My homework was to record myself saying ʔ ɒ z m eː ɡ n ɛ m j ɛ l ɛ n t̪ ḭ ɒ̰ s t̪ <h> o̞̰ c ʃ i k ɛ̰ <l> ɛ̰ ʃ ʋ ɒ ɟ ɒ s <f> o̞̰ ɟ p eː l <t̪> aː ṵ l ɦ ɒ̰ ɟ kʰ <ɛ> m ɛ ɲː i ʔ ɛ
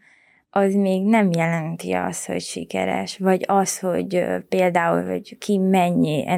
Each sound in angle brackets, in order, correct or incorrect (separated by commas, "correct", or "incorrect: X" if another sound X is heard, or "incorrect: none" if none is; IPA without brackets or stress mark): correct, incorrect: ɾ, incorrect: h, incorrect: d̪, incorrect: i